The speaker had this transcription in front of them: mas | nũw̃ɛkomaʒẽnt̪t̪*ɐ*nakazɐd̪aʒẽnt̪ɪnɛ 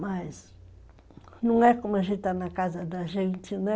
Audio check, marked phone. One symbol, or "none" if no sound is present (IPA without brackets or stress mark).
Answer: a